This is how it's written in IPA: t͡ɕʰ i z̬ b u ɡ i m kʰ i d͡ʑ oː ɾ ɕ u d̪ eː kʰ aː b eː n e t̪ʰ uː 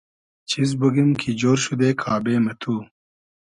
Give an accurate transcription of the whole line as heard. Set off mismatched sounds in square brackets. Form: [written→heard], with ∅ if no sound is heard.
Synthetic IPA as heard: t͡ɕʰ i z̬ b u ɡ i m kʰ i d͡ʑ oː ɾ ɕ u d̪ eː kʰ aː b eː [n→m] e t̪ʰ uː